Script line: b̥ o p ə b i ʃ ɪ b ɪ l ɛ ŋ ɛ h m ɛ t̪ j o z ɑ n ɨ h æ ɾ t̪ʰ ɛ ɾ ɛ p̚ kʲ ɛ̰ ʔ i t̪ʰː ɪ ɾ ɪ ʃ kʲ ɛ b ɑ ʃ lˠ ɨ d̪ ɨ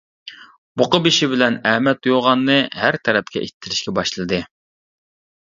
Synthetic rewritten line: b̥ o q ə b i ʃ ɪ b ɪ l ɛ n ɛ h m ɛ t̪ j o ʁ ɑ nː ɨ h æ ɾ t̪ʰ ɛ ɾ ɛ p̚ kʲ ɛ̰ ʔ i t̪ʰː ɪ ɾ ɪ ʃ kʲ ɛ b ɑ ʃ lˠ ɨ d̪ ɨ